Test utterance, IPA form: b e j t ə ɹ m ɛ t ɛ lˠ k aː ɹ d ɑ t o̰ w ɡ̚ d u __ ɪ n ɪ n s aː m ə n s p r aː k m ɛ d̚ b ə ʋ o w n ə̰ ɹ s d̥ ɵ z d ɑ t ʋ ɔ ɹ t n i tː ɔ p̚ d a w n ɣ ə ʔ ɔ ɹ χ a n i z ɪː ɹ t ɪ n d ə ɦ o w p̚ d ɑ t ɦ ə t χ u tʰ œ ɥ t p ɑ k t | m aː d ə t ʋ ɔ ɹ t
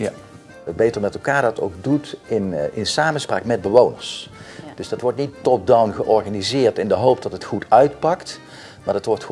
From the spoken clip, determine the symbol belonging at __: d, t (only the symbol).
t